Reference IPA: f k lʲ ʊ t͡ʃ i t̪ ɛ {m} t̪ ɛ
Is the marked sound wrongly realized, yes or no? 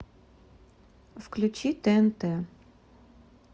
yes